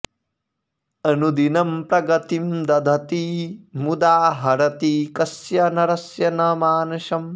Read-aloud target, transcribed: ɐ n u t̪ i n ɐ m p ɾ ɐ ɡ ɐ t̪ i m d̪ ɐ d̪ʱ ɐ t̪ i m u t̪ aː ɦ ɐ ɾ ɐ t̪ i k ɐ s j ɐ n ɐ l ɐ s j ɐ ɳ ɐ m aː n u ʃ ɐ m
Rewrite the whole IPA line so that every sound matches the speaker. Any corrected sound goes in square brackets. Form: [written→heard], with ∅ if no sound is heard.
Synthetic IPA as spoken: ɐ n u [t̪→d̪] i n ɐ m p ɾ ɐ ɡ ɐ t̪ i m d̪ ɐ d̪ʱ ɐ t̪ i m u [t̪→d̪] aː ɦ ɐ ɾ ɐ t̪ i k ɐ s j ɐ n ɐ [l→ɾ] ɐ s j ɐ [ɳ→n] ɐ m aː n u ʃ ɐ m